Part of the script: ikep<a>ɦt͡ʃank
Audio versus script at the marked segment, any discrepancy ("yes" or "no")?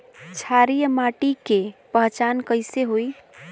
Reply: yes